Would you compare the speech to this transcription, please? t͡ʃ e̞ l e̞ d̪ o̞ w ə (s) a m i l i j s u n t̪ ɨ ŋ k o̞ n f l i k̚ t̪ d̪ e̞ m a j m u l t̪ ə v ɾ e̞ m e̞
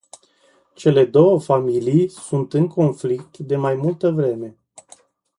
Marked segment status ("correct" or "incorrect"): incorrect